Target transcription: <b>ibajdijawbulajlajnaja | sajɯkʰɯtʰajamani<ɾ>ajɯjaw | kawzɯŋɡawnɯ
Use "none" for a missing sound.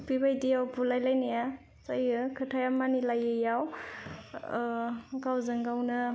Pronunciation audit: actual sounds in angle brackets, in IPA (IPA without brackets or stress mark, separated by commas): p, l